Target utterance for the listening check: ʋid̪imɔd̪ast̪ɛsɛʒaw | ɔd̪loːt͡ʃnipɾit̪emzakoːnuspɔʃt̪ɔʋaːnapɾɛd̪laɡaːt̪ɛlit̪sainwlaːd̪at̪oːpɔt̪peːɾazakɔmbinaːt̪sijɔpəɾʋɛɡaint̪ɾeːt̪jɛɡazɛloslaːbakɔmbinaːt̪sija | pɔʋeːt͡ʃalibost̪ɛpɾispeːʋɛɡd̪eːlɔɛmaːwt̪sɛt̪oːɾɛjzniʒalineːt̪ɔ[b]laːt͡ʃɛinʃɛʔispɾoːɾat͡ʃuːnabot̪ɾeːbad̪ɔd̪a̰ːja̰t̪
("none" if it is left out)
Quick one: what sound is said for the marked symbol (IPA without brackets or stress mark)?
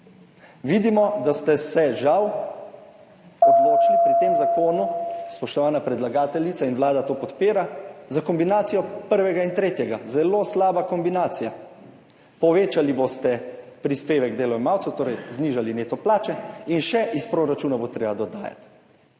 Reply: p